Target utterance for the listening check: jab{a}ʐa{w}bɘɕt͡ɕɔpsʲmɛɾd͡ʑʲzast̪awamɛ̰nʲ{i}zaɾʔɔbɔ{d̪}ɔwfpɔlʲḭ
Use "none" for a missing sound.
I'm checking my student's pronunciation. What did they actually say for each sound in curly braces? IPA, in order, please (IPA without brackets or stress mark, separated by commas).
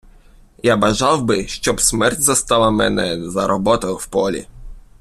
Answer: a, w, ɛ, t̪